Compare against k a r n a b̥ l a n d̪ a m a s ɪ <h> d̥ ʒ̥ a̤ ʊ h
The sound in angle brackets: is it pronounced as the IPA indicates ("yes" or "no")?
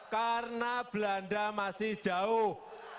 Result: yes